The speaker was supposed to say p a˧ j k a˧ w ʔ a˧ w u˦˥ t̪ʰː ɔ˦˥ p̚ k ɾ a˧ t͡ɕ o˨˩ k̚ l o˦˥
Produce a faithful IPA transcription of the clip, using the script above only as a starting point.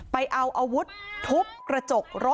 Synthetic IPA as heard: p a˧ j ʔ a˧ w ʔ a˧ w u˦˥ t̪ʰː u˦˥ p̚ k ɾ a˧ t͡ɕ o˨˩ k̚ ɾ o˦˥